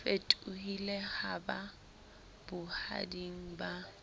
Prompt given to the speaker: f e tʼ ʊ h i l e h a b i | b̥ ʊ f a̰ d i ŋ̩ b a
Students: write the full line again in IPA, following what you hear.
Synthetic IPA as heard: f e tʼ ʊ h i l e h a b a | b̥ ʊ h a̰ d i ŋ̩ b a

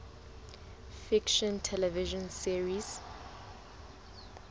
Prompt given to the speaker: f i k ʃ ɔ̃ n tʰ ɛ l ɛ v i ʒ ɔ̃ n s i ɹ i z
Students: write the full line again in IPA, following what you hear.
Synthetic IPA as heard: f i k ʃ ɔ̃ n tʰ ɛ l ɛ v i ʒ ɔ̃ n s i ɹ i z

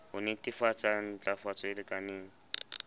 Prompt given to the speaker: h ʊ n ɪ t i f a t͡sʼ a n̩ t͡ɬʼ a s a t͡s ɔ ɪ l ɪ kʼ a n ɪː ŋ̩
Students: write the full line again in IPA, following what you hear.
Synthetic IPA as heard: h ʊ n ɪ t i f a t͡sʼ a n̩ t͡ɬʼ a f a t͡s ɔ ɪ l ɪ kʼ a n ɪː ŋ̩

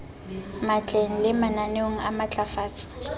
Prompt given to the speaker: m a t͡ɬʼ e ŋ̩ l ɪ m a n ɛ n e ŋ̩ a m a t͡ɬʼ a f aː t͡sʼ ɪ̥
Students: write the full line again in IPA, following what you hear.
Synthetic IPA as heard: m a t͡ɬʼ e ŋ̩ l ɪ m a n a n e ŋ̩ a m a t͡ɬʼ a f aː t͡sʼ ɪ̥

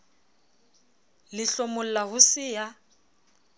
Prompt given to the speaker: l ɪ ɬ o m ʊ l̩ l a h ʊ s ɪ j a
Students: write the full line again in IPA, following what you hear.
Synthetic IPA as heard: l ɪ ɬ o m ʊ l̩ l a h ʊ s ɪ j a

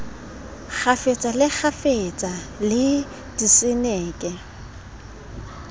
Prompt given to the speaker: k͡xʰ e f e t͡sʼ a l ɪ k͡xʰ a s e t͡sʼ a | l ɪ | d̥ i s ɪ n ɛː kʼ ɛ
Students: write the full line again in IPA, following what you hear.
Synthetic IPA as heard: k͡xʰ a f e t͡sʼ a l ɪ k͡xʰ a f e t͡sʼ a | l ɪ | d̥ i s ɪ n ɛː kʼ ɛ

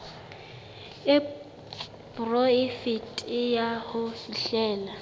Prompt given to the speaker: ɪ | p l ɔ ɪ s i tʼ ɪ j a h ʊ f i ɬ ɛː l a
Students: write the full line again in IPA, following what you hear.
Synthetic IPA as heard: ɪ | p r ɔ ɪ f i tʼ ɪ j a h ʊ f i ɬ ɛː l a

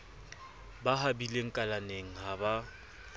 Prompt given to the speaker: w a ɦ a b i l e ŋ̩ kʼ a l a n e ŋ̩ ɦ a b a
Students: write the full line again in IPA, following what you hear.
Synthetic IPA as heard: b a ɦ a b i l e ŋ̩ kʼ a l a n e ŋ̩ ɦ a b a

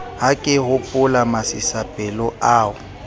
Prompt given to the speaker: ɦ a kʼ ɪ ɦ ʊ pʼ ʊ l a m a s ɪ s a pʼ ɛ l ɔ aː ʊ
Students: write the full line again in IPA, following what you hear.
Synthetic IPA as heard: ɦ a kʼ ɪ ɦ ʊ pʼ ʊ l a m a s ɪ s a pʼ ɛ l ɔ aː ʊ

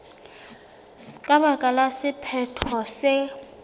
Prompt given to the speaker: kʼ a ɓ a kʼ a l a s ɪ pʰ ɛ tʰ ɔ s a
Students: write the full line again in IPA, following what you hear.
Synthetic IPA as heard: kʼ a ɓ a kʼ a l a s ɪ pʰ ɛ tʰ ɔ s ɛ

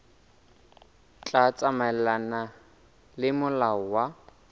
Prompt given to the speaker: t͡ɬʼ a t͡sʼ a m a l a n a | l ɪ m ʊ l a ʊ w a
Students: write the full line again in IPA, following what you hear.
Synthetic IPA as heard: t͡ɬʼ a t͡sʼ a m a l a n a | l ɪ m ʊ l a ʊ w a

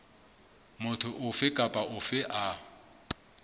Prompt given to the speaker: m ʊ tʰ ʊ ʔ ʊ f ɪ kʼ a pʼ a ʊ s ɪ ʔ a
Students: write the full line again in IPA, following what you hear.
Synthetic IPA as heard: m ʊ tʰ ʊ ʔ ʊ f ɪ kʼ a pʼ a ʊ f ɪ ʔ a

